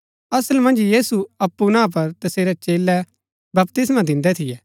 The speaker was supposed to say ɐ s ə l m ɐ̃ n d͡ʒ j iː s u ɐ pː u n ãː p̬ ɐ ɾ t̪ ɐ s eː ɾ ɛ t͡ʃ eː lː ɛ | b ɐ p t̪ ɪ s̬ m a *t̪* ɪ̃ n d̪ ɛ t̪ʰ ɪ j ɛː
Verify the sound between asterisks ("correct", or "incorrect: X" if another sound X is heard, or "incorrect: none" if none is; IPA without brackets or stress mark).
incorrect: d̪